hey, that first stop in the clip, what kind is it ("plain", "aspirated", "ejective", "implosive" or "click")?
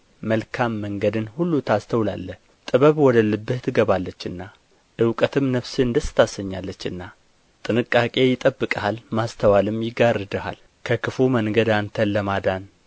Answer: aspirated